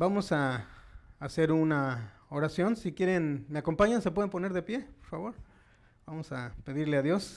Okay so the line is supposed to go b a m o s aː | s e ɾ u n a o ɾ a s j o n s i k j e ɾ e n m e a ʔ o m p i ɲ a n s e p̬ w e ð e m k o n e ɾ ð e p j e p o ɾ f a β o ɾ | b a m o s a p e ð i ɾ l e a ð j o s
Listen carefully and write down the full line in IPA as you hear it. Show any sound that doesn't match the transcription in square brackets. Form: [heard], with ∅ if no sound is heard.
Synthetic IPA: b a m o s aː | s e ɾ u n a o ɾ a s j o n s i k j e ɾ e n m e a [k] o m p [a] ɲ a n s e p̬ w e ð e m [p] o n e ɾ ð e p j e p o ɾ f a β o ɾ | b a m o s a p e ð i ɾ l e a ð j o s